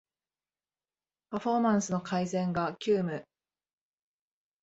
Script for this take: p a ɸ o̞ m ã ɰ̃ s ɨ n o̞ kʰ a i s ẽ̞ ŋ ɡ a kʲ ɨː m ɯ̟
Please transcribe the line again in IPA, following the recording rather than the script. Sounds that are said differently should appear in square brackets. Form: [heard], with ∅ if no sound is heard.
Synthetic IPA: p a ɸ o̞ m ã ɰ̃ s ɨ n o̞ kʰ a i [z] ẽ̞ ŋ ɡ a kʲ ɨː m ɯ̟